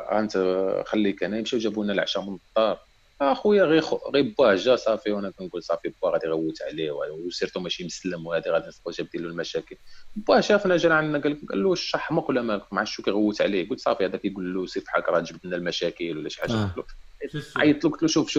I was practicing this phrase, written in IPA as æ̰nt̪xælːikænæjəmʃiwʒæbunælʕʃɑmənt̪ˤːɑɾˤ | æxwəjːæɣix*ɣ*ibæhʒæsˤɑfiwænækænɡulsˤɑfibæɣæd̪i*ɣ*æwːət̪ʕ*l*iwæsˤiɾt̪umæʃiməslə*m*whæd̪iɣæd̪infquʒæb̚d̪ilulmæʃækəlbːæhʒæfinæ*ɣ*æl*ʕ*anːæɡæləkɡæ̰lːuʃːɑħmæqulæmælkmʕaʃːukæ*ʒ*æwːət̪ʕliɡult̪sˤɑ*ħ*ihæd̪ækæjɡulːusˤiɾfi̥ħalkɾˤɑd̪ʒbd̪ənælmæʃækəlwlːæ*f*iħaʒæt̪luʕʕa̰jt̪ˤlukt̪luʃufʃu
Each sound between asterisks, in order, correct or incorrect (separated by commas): correct, correct, correct, correct, incorrect, correct, incorrect, incorrect, incorrect